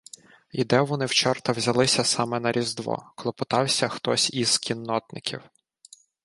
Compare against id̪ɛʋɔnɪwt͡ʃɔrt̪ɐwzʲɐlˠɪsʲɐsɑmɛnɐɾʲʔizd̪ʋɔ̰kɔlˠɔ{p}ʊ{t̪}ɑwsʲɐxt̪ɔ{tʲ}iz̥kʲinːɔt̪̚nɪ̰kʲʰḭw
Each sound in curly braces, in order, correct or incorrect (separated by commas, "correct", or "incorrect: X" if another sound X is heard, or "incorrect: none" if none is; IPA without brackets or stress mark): correct, correct, incorrect: sʲ